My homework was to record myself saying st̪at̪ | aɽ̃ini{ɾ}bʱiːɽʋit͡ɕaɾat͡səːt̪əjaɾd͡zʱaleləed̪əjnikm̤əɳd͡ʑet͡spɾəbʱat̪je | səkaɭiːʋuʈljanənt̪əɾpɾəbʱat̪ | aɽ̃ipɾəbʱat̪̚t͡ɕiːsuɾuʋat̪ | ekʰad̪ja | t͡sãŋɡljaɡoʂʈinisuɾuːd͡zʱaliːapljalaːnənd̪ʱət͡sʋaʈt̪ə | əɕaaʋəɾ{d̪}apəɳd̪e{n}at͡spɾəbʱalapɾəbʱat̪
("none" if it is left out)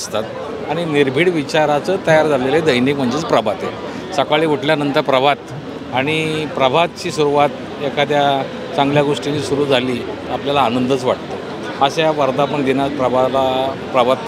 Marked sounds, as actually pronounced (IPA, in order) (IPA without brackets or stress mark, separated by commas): ɾ, d̪, n